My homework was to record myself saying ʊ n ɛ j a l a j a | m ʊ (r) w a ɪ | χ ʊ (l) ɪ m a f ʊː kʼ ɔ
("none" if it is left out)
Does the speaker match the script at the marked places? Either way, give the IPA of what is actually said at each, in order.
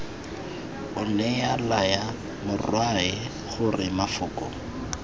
r, r

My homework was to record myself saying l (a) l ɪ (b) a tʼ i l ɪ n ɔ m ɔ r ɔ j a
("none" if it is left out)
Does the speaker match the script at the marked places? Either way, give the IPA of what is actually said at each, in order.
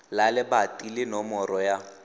a, b

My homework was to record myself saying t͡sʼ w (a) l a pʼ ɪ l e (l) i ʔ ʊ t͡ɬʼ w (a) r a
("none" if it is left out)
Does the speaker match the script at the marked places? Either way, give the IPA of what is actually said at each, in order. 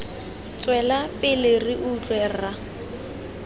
ɛ, r, ɛ

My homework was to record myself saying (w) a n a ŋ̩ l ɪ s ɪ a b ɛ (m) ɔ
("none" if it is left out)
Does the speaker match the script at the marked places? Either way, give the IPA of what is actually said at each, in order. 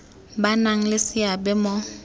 b, m

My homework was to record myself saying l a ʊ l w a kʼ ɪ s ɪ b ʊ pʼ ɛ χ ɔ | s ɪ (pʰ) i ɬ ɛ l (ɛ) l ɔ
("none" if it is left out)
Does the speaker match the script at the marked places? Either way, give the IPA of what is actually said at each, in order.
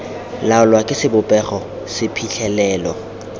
pʰ, ɛː

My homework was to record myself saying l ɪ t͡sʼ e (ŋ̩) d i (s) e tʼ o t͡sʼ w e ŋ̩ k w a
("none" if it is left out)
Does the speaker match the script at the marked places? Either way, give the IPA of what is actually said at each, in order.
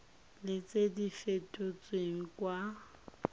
none, f

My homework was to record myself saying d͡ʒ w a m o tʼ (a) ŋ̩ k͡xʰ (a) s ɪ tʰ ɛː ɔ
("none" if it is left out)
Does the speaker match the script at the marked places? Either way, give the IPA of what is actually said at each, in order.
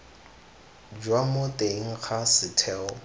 e, a

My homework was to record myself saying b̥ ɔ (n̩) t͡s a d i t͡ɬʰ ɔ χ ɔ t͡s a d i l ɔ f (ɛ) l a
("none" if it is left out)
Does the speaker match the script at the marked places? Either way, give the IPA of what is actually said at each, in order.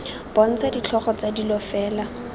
n̩, ɛː

